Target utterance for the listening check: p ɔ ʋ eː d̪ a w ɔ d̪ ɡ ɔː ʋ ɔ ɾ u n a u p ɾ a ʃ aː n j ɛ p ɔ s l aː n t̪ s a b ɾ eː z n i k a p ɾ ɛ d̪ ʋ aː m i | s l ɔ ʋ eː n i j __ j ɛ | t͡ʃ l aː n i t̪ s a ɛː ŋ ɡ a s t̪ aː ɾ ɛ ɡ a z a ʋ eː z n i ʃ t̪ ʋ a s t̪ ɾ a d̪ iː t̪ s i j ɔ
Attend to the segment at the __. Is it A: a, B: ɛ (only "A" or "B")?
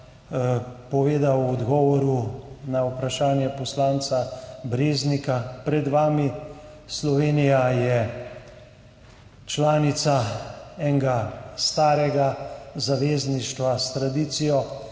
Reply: A